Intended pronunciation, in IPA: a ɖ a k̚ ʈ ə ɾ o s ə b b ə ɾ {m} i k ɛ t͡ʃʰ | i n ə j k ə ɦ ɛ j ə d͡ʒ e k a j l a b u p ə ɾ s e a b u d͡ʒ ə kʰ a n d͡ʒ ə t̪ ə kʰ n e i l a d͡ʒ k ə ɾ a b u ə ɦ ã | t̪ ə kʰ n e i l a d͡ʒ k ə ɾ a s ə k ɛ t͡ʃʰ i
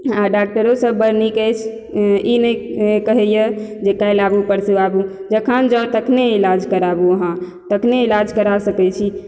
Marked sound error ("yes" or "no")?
yes